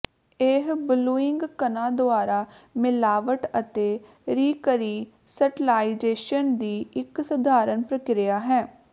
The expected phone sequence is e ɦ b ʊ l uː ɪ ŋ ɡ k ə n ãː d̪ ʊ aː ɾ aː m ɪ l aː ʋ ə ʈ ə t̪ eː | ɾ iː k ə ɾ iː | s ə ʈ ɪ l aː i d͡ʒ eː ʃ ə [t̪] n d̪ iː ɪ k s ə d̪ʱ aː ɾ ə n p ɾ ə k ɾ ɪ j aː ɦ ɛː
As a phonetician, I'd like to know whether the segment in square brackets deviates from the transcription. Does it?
yes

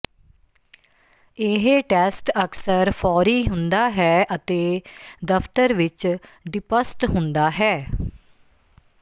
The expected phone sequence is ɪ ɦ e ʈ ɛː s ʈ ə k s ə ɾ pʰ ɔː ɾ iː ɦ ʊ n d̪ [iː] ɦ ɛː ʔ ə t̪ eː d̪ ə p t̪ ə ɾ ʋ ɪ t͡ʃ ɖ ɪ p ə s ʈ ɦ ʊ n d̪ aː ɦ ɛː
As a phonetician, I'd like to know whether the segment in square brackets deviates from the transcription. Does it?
yes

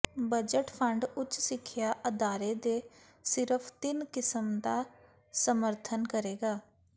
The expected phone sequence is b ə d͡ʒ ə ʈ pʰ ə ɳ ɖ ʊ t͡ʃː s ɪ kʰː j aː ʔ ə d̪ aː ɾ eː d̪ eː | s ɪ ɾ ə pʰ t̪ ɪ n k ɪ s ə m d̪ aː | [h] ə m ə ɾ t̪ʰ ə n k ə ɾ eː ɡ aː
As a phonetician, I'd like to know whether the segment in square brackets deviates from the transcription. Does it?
yes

